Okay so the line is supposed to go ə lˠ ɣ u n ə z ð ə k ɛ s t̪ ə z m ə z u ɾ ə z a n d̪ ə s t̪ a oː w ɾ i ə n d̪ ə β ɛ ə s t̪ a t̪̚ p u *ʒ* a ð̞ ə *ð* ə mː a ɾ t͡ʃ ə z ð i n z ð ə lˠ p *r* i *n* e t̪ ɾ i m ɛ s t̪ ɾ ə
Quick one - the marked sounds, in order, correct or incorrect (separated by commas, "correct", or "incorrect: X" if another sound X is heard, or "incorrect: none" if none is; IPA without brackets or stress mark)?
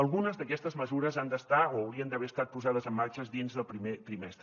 incorrect: z, incorrect: z, incorrect: ɾ, incorrect: m